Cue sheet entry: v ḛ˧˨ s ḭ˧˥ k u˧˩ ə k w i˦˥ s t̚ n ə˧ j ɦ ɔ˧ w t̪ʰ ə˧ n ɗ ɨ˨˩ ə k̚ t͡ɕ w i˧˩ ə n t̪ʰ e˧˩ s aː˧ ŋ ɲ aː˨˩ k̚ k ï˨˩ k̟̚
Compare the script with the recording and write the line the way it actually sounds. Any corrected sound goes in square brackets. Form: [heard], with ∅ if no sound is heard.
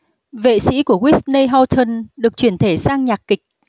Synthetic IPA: v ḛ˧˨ s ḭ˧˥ k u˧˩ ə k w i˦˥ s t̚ n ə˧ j ɦ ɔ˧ w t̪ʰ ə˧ n ɗ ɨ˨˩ ə k̚ t͡ɕ w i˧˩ ə n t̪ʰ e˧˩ s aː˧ ŋ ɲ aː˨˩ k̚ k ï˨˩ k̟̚